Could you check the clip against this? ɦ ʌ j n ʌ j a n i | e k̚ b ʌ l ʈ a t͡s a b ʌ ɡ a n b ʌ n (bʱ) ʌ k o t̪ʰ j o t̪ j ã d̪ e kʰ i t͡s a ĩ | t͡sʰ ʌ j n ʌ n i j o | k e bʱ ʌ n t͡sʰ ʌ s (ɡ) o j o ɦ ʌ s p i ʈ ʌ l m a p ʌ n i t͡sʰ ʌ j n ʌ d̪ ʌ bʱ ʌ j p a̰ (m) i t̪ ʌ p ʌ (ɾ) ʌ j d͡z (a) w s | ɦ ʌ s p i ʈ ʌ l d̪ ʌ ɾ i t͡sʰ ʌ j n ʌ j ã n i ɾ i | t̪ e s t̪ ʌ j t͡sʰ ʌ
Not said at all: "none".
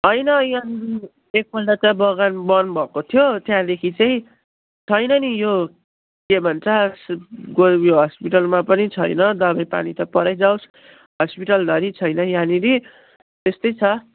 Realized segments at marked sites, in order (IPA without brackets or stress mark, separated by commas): bʱ, ɡ, n, ɾ, a